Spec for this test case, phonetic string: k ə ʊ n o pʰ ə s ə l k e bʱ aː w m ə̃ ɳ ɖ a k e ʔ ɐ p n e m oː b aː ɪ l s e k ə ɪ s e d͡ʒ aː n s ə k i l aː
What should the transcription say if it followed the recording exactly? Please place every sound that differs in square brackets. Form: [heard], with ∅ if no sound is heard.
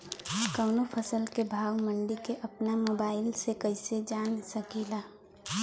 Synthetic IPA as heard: k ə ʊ n o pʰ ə s ə l k e bʱ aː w m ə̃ ɳ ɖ [i] k e ʔ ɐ p n [a] m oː b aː ɪ l s e k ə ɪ s e d͡ʒ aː n s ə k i l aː